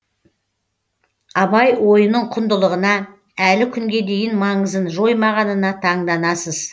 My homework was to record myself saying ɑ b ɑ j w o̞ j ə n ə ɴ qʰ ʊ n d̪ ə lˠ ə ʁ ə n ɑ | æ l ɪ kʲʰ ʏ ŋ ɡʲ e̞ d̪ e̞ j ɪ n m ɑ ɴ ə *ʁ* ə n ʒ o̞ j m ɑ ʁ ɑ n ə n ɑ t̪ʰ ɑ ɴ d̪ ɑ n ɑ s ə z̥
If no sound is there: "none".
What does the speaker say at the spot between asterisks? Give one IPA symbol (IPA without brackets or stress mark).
z